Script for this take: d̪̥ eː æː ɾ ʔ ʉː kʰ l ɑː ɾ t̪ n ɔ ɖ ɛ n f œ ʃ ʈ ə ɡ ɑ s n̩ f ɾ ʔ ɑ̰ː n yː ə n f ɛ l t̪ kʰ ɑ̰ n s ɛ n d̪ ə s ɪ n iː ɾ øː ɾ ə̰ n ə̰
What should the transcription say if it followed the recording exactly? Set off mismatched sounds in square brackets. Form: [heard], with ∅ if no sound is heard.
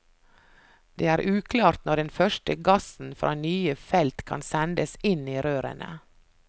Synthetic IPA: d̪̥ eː æː ɾ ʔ ʉː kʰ l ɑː ɾ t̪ n ɔ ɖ ɛ n f œ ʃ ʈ ə ɡ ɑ s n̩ f ɾ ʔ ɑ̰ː n yː ə [∅] f ɛ l t̪ kʰ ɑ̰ n s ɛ n d̪ ə s ɪ n iː ɾ øː ɾ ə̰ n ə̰